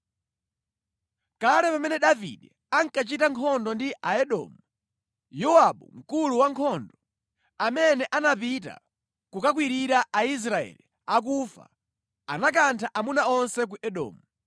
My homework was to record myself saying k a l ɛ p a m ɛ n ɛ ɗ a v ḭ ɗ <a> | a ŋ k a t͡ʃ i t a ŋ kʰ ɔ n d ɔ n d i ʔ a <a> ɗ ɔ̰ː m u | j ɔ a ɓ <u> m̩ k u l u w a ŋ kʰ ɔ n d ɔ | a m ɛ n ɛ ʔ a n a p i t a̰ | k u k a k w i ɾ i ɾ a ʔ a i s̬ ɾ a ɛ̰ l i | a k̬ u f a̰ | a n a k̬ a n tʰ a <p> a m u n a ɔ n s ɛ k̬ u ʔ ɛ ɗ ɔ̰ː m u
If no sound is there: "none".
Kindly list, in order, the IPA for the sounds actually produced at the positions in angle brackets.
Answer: ɛ, ɛ, u, ʔ

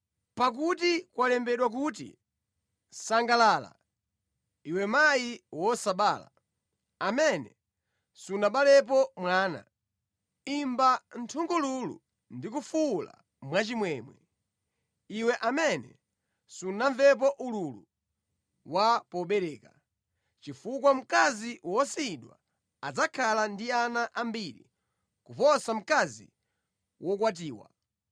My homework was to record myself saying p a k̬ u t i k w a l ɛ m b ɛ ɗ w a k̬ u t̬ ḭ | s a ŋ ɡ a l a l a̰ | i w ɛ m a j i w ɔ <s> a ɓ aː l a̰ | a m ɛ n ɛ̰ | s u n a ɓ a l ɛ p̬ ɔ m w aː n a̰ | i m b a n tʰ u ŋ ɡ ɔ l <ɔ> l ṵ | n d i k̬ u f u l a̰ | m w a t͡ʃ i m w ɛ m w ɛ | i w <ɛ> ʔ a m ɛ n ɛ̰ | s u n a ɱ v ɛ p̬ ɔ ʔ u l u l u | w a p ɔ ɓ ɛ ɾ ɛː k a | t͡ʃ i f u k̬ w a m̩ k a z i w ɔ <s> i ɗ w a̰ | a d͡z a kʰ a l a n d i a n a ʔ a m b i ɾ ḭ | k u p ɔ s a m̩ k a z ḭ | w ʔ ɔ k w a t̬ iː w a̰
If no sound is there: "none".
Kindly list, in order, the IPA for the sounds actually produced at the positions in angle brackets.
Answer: s, u, ɛ, s

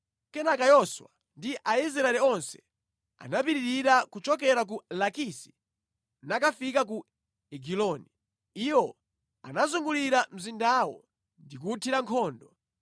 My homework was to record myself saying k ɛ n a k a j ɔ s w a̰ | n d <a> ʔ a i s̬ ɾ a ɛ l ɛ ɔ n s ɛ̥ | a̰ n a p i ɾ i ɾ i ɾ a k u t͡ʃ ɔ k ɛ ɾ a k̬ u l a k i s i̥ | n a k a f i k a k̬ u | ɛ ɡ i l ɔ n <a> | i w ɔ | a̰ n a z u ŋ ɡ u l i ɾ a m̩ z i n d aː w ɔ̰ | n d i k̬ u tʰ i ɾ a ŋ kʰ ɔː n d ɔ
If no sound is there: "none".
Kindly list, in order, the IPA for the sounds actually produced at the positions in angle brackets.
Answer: i, i

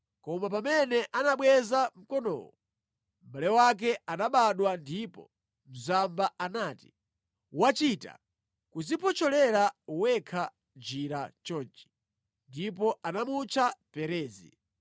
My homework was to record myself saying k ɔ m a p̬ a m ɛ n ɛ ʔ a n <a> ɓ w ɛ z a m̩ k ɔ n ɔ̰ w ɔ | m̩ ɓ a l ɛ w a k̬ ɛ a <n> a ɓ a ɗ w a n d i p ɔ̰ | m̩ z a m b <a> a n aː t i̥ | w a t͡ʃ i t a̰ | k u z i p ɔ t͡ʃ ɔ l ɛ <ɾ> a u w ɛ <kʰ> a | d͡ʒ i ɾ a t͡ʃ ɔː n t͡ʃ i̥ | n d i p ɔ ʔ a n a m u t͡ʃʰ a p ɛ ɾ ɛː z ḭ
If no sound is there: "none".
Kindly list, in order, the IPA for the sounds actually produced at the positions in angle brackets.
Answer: a, n, a, ɾ, kʰ

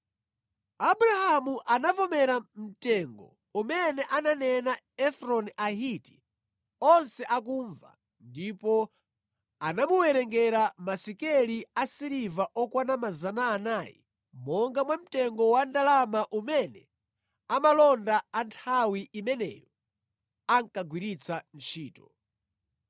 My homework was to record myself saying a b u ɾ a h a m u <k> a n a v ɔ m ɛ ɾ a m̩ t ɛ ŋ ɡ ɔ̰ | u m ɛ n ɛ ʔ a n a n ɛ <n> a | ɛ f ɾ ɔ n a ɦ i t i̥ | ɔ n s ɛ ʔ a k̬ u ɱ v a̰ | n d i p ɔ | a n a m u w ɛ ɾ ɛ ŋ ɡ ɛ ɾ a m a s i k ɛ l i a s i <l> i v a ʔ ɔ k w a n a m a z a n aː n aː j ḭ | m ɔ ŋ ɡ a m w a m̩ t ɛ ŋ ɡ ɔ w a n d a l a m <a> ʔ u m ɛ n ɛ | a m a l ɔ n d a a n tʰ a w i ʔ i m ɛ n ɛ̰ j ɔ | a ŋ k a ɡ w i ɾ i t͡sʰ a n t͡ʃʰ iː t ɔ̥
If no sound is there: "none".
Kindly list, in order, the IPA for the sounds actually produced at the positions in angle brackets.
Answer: ʔ, n, ɾ, a

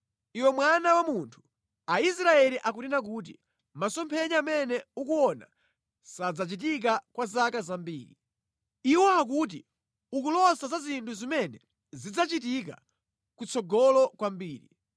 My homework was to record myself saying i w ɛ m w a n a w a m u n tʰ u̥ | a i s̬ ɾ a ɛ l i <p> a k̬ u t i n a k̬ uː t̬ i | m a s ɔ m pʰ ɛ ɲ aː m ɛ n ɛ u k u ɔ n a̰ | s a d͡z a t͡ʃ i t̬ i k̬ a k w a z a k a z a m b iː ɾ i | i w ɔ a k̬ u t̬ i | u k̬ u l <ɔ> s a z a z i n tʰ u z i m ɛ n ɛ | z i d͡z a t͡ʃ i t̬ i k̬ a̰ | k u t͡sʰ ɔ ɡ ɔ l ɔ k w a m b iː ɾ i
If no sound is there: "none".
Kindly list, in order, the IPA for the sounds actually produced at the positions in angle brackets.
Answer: ʔ, ɔ

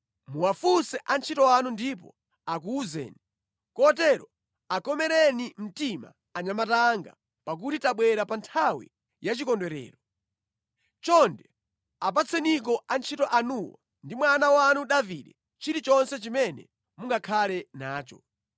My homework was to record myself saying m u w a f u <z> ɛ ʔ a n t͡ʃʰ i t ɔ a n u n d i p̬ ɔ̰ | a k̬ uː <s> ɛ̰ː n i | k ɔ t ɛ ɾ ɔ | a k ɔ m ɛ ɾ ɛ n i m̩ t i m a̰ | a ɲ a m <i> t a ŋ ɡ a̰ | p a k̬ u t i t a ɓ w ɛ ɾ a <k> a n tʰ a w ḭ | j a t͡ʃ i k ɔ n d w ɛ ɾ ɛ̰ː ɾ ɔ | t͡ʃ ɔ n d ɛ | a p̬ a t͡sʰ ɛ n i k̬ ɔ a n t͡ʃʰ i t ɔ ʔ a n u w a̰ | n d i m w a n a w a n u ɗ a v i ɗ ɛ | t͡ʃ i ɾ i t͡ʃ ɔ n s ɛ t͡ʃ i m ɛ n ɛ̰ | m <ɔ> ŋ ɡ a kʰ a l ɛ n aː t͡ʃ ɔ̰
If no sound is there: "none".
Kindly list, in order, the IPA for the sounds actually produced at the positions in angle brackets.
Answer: s, z, a, p, u

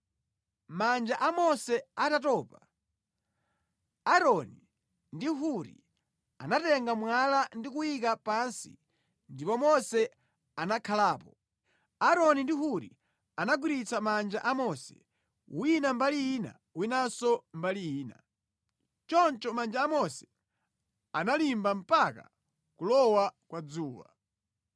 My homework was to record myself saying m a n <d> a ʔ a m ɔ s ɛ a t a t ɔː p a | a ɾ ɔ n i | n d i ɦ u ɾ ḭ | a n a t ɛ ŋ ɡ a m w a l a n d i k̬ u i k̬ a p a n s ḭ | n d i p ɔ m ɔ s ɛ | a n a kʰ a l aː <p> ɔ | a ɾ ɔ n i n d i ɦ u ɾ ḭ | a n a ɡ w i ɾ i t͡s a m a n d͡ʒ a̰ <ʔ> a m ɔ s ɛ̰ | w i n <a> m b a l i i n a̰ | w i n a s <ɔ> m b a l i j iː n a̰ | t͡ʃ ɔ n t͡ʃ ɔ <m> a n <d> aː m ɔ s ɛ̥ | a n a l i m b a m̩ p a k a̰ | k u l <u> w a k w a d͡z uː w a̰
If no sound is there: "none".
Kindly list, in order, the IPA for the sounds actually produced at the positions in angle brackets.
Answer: d͡ʒ, p, ʔ, a, ɔ, m, d͡ʒ, ɔ

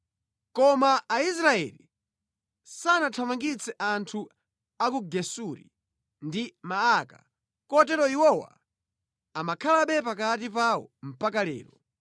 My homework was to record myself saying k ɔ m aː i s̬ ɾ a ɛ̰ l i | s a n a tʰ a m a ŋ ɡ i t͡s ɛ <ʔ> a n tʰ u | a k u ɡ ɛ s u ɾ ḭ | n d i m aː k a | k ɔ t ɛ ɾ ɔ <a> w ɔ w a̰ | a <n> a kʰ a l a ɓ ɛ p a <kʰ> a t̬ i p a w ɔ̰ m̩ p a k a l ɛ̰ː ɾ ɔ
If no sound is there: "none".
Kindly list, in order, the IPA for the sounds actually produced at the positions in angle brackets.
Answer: ʔ, i, m, k

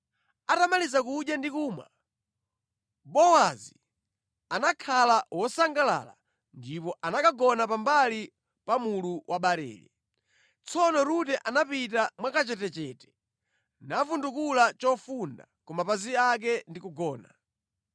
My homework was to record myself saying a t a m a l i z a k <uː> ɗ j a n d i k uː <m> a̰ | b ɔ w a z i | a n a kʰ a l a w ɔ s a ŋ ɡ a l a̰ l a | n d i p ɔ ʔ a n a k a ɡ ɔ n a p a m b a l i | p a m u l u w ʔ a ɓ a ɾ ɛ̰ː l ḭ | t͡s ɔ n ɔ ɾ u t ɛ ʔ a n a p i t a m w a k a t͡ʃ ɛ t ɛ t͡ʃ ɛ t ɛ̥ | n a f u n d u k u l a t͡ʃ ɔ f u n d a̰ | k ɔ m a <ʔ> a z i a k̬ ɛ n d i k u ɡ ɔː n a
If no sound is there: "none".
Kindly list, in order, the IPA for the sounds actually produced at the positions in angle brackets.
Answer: u, m, p

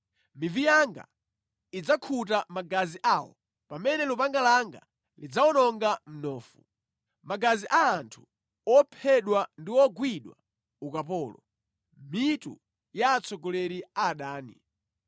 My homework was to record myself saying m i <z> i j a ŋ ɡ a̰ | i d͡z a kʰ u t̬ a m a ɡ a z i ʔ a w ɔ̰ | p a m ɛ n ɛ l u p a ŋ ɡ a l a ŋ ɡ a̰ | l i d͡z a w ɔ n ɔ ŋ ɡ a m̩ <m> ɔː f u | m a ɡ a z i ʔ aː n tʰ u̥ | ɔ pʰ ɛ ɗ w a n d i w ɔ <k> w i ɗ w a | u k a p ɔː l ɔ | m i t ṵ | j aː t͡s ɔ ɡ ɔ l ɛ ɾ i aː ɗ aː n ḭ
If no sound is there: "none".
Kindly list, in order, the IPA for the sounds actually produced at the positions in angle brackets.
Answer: v, n, ɡ

